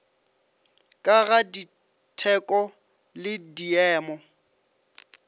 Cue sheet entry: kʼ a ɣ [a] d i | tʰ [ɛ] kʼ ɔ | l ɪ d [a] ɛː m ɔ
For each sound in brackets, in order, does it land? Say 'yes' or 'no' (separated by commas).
yes, yes, no